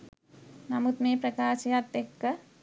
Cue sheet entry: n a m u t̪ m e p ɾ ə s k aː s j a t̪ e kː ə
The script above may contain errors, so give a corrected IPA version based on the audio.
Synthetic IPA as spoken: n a m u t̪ m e p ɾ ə k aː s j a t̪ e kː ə